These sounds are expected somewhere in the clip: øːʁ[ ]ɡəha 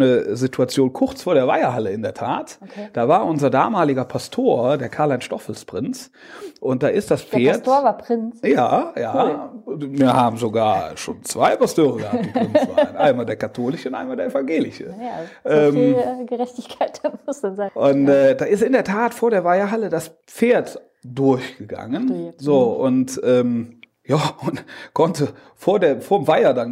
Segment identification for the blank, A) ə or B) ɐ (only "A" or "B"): A